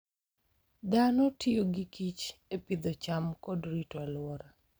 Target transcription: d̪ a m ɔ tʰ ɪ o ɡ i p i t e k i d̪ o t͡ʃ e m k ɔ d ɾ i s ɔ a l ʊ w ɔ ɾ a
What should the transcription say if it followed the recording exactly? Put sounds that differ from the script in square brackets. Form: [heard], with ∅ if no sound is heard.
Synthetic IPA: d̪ a [n] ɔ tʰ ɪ o ɡ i [k] i [t͡ʃ] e [p] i d̪ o t͡ʃ [a] m k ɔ d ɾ i [t] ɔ a l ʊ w ɔ ɾ a